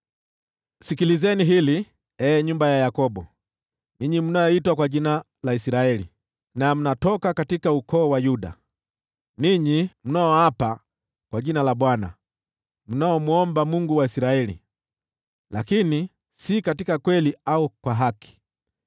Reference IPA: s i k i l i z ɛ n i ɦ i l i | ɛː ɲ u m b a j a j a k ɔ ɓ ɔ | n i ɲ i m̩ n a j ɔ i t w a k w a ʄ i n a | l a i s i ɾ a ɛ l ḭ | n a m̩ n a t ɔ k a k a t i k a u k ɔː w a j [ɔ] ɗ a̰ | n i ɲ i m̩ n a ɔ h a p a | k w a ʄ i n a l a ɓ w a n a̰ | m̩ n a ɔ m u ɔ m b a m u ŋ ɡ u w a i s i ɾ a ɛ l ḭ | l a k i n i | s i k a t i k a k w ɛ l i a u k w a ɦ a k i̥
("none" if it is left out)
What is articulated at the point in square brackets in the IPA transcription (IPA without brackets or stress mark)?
u